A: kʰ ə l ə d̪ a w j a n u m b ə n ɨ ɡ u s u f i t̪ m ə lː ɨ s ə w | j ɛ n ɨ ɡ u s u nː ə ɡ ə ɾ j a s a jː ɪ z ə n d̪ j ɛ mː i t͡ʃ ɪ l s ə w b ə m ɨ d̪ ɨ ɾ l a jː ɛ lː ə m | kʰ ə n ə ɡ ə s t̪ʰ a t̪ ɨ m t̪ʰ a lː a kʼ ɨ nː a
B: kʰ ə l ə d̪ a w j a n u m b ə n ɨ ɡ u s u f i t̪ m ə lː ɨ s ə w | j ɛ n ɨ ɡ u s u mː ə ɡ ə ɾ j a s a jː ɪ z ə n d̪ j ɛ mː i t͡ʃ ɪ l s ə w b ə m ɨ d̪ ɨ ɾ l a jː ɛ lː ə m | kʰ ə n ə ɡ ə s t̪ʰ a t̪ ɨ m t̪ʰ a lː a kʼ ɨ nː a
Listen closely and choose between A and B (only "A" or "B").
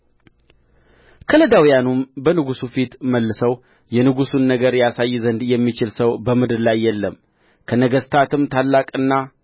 A